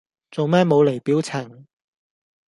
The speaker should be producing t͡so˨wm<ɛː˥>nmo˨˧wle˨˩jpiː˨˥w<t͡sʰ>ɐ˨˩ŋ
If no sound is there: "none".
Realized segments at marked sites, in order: ɛː˥, t͡sʰ

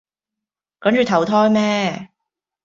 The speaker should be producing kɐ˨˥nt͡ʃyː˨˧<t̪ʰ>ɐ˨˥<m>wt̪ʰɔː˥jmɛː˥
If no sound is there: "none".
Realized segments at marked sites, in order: t̪ʰ, none

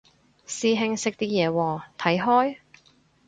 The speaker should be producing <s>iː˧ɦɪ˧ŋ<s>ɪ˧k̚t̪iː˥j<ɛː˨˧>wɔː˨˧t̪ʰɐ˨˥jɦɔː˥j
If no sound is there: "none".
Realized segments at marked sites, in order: s, s, ɛː˨˧

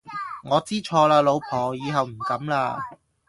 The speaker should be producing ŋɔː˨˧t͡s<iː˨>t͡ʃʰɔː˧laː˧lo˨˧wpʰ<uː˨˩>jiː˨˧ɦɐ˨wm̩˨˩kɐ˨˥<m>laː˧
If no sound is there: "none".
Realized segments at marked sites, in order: iː˥, ɔː˨˩, m

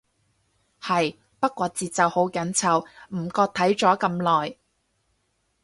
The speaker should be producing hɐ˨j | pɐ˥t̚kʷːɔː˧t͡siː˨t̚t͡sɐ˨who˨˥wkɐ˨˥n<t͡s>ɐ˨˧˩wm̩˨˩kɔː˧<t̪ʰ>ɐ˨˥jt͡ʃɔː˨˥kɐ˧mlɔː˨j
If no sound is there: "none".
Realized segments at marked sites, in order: t͡sʰ, t̪ʰ

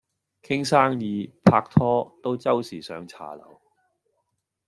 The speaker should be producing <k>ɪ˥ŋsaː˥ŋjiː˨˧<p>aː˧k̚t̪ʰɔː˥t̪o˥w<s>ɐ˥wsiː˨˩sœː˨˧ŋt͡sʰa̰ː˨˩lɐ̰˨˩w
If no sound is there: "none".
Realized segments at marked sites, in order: kʰ, pʰ, t͡s

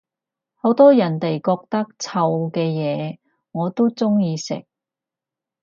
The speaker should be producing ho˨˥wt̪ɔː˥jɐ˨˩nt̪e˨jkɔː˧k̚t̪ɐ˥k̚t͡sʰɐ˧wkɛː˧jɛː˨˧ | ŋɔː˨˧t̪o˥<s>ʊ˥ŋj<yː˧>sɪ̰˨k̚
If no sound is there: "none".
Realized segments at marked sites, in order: t͡s, iː˧

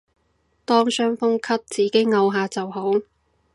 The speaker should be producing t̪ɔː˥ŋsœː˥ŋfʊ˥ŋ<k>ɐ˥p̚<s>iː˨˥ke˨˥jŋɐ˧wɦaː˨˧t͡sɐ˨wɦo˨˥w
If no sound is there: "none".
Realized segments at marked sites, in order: kʰ, t͡s

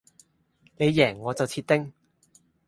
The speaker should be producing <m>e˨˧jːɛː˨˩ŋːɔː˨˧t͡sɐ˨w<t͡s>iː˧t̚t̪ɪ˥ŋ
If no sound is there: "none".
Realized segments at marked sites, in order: n, t͡sʰ

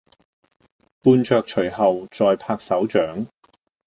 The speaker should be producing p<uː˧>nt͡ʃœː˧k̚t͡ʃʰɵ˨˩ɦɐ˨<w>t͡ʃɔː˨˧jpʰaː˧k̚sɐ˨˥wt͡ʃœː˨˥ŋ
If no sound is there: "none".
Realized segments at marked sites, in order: uː˧, w

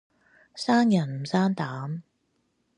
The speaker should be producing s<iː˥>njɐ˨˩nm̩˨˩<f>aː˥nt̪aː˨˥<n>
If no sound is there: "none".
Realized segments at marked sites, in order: aː˥, s, m

